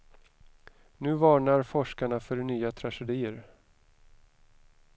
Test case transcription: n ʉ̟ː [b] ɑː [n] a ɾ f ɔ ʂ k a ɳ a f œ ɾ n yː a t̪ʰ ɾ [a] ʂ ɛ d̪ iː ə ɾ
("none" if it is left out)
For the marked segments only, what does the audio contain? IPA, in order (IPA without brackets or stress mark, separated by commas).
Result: v, ɳ, a